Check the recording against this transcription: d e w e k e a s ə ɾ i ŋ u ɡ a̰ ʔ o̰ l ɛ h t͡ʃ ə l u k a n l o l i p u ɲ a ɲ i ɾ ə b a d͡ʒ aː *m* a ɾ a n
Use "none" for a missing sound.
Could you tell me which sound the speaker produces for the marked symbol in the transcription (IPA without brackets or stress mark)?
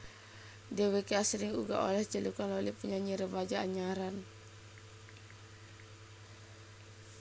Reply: ɲ